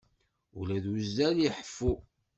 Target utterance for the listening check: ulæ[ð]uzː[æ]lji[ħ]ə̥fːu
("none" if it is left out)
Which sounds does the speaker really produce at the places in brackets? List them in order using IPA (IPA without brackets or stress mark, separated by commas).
ð, æ, ħ